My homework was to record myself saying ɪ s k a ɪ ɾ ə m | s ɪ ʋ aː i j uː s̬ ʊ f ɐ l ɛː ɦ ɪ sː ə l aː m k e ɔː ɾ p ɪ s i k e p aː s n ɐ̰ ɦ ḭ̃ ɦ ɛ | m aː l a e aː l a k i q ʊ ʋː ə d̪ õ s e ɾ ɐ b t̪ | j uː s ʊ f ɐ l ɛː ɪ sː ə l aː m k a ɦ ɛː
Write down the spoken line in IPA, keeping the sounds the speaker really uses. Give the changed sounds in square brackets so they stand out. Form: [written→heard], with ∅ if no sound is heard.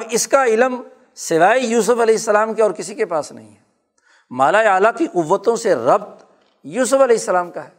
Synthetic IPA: ɪ s k a ɪ [ɾ→l] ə m | s ɪ ʋ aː i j uː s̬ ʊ f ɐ l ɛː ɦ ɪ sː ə l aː m k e ɔː ɾ [p→k] ɪ s i k e p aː s n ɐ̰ ɦ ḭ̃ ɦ ɛ | m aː l a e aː l a k i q ʊ ʋː ə [d̪→t̪] õ s e ɾ ɐ b t̪ | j uː s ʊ f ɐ l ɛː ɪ sː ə l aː m k a ɦ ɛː